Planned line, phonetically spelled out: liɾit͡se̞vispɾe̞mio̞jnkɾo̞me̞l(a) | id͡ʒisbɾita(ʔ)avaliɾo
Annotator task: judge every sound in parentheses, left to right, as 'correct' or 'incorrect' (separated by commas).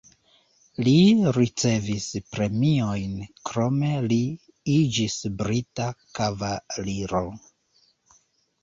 incorrect, incorrect